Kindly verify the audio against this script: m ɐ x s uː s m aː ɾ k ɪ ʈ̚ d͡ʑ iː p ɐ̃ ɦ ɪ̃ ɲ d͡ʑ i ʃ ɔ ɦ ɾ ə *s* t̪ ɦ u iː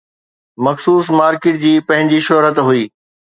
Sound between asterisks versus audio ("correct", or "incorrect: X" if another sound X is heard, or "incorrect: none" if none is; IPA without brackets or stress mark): incorrect: none